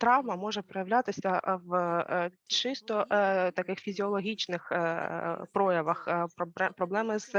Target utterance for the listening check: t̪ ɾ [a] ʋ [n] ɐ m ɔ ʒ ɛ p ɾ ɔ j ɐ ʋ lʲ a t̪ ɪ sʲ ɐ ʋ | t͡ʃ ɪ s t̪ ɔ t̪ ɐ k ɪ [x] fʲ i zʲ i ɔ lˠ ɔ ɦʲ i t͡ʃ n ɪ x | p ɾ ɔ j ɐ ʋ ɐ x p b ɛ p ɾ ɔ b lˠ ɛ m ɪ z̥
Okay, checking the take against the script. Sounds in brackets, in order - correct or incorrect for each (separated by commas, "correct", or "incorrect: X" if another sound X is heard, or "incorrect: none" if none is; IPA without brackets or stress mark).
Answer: incorrect: ɑ, incorrect: m, correct